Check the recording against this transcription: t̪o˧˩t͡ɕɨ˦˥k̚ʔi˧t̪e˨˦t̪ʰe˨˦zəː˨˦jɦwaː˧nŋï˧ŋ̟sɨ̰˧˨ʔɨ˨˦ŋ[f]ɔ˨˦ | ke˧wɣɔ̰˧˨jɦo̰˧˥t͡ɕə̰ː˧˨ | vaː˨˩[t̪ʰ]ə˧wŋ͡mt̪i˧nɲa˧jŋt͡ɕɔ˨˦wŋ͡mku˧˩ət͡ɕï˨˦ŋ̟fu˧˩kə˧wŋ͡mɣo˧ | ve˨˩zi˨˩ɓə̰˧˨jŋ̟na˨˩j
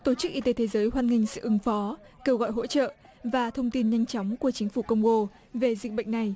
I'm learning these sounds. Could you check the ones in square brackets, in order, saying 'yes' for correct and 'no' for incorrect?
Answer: yes, yes

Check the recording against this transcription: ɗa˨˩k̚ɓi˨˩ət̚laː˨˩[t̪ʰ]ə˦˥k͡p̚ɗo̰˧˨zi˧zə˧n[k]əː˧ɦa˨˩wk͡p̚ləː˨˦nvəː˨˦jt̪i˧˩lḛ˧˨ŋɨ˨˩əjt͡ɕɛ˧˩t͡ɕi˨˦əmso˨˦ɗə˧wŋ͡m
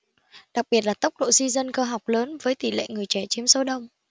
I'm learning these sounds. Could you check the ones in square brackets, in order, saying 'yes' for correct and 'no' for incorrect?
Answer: no, yes

